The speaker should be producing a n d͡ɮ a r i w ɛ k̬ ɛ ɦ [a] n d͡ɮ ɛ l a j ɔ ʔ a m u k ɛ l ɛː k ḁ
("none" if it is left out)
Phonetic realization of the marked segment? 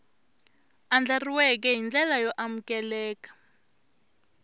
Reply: i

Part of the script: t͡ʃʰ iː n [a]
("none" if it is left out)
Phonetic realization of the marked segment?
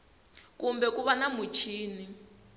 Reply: i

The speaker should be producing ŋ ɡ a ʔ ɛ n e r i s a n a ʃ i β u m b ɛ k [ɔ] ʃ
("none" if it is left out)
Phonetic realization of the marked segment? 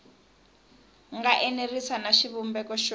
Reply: ɔ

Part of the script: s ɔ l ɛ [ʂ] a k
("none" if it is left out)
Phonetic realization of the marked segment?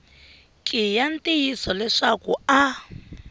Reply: ʂ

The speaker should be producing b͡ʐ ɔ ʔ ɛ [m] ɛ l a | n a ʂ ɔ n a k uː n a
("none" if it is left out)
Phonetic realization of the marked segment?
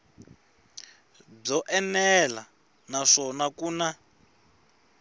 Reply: n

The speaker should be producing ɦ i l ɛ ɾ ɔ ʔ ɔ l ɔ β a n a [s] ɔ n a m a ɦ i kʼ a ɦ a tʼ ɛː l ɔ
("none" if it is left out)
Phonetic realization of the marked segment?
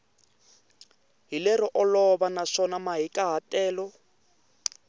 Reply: ʂ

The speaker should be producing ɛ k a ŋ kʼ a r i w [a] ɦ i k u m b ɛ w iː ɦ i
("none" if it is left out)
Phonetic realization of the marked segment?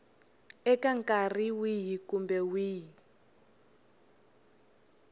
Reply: i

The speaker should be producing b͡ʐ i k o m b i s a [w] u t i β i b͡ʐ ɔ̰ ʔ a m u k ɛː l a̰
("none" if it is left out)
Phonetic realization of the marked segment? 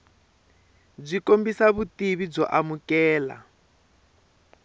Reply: β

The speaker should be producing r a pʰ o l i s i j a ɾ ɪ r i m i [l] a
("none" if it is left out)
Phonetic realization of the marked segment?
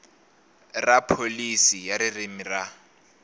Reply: r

